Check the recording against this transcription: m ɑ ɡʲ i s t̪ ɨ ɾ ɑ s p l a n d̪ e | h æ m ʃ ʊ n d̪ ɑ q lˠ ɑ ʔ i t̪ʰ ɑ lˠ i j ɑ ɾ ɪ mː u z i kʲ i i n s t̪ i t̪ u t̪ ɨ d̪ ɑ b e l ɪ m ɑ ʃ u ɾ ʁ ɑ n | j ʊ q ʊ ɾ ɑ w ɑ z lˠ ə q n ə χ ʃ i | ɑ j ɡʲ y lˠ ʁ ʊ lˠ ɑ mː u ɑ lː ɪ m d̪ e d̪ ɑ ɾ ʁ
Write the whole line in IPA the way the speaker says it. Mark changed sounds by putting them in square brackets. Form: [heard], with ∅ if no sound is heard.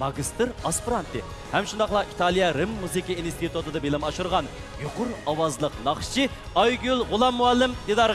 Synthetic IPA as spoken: m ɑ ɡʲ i s t̪ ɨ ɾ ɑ s p [ɾ] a n [t̪] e | h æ m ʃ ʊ n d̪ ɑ q lˠ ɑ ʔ i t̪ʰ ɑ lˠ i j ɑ ɾ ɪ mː u z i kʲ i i n s t̪ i t̪ u t̪ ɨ d̪ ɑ b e l ɪ m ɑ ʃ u ɾ ʁ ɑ n | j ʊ q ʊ ɾ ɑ w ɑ z lˠ ə q n [ɑ] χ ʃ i | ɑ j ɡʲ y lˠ ʁ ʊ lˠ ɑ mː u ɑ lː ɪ m d̪ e d̪ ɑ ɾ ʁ